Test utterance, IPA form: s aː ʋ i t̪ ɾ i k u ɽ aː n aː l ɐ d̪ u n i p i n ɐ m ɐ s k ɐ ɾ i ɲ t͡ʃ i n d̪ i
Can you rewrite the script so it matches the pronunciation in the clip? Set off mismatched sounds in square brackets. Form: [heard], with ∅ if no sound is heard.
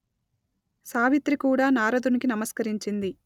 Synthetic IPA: s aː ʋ i t̪ ɾ i k [uː] ɽ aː n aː [ɾ] ɐ d̪ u n i [k] i n ɐ m ɐ s k ɐ ɾ i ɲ t͡ʃ i n d̪ i